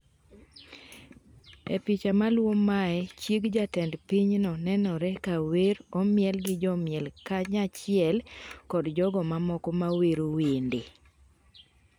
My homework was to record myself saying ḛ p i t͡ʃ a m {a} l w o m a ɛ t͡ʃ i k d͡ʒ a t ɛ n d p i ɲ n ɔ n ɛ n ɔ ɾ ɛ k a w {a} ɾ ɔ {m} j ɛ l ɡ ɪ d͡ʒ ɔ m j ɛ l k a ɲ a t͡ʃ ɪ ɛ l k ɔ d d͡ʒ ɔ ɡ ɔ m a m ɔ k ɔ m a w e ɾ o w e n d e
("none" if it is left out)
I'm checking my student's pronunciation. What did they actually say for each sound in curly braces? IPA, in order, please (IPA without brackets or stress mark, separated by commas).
a, e, m